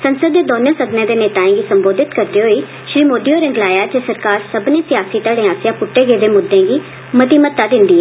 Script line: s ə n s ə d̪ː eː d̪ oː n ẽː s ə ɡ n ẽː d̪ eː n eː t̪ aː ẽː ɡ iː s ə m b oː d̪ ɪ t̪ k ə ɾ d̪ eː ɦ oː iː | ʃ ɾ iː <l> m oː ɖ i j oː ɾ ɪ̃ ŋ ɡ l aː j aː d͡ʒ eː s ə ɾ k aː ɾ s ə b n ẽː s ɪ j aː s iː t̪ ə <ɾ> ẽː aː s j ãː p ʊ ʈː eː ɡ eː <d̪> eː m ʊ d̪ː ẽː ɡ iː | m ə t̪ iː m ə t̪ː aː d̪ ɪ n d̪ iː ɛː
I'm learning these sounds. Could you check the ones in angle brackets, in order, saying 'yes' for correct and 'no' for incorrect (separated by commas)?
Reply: no, no, yes